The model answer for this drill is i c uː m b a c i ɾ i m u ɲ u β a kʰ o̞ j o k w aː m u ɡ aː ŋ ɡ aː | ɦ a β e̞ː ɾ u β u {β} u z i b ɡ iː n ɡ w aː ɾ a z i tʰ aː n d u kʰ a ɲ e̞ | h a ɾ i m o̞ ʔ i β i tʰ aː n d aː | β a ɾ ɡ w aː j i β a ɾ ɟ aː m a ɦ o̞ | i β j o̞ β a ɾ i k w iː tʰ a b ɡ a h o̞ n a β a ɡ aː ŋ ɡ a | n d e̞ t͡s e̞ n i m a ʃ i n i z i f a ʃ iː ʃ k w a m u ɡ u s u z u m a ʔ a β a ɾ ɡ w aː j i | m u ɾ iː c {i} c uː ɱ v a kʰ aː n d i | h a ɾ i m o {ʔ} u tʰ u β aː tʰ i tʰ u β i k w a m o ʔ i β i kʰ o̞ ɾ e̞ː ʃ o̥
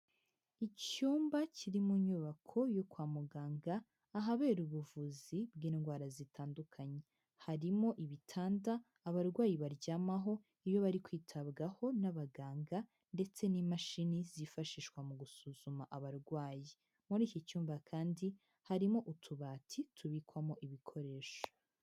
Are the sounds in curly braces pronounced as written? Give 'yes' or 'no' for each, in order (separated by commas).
no, yes, yes